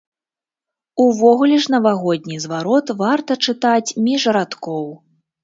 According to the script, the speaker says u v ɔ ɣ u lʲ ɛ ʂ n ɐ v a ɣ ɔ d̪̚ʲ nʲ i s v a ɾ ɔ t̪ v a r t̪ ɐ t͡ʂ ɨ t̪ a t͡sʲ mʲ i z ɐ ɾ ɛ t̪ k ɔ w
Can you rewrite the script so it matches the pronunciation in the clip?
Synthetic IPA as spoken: u v ɔ ɣ u lʲ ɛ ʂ n ɐ v a ɣ ɔ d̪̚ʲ nʲ i z v a ɾ ɔ t̪ v a r t̪ ɐ t͡ʂ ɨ t̪ a t͡sʲ mʲ i ʐ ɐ ɾ a t̪ k ɔ w

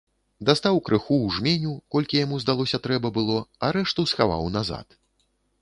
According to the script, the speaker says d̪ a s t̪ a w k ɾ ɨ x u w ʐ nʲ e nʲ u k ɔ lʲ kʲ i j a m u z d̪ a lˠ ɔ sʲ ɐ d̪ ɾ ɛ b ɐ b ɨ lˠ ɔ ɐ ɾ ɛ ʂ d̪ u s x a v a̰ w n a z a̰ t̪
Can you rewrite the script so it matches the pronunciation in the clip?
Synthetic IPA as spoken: d̪ a s t̪ a w k ɾ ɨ x u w ʐ mʲ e nʲ u k ɔ lʲ kʲ i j a m u z d̪ a lˠ ɔ sʲ ɐ t̪ ɾ ɛ b ɐ b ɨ lˠ ɔ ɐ ɾ ɛ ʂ t̪ u s x a v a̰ w n a z a̰ t̪

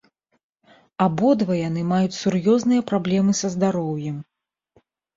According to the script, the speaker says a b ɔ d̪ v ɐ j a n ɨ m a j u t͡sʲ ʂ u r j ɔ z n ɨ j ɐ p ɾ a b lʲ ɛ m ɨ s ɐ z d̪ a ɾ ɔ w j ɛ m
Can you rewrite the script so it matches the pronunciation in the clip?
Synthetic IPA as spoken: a b ɔ d̪ v ɐ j a n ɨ m a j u t͡sʲ s u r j ɔ z n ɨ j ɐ p ɾ a b lʲ ɛ m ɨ s ɐ z d̪ a ɾ ɔ w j ɛ m

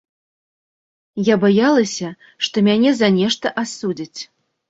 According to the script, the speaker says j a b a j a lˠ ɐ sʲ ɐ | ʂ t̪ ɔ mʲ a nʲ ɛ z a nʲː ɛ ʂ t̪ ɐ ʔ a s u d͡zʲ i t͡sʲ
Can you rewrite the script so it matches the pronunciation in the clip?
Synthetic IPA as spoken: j a b a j a lˠ ɐ sʲ ɐ | ʂ t̪ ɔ mʲ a nʲ ɛ z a nʲ ɛ ʂ t̪ ɐ ʔ a s u d͡zʲ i t͡sʲ

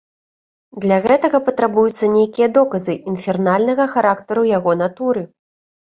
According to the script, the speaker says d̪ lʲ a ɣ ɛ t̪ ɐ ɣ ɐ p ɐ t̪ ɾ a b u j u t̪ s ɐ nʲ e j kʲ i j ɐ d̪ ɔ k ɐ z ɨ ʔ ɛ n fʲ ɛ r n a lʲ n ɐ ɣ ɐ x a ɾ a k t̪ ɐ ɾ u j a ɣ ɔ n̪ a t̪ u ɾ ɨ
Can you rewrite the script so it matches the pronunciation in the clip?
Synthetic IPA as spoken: d̪ lʲ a ɣ ɛ t̪ ɐ ɣ ɐ p ɐ t̪ ɾ a b u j u t̪ sː ɐ nʲ e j kʲ i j ɐ d̪ ɔ k ɐ z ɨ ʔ i n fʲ ɛ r n a lʲ n ɐ ɣ ɐ x a ɾ a k t̪ ɐ ɾ u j a ɣ ɔ n̪ a t̪ u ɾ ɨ

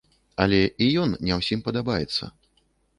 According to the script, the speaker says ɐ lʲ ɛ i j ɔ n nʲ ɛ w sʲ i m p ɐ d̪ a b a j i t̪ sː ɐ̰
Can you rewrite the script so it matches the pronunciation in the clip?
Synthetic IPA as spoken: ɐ lʲ ɛ i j ɔ n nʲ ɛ w sʲ i m p ɐ d̪ a b a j ɛ t̪ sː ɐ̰

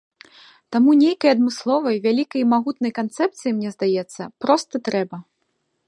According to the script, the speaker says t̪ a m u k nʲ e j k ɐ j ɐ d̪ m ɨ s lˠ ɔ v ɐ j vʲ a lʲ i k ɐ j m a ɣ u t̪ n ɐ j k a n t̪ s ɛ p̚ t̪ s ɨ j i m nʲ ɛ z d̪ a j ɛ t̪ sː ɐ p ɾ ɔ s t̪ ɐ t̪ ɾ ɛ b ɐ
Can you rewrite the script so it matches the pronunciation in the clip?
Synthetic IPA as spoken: t̪ a m u nʲ e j k ɐ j ɐ d̪ m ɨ s lˠ ɔ v ɐ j vʲ a lʲ i k ɐ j m a ɣ u t̪ n ɐ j k a n t̪ s ɛ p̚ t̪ s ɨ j i m nʲ ɛ z d̪ a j ɛ t̪ sː ɐ p ɾ ɔ s t̪ ɐ t̪ ɾ ɛ b ɐ

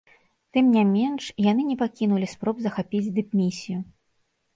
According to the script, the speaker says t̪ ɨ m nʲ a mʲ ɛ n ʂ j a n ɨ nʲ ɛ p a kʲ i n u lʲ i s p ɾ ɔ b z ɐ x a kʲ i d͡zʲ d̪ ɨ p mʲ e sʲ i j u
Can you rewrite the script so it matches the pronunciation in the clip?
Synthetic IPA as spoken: t̪ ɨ m nʲ a mʲ ɛ n ʂ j a n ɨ nʲ ɛ p a kʲ i n u lʲ i s p ɾ ɔ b z ɐ x a pʲ i d͡zʲ d̪ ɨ p mʲ i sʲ i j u

